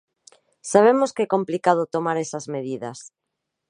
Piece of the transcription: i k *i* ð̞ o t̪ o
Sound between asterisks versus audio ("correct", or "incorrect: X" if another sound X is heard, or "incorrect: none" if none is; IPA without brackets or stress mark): incorrect: a